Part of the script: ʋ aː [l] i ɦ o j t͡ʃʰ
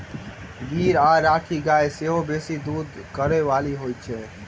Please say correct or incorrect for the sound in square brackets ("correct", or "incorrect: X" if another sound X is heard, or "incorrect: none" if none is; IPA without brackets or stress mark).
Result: correct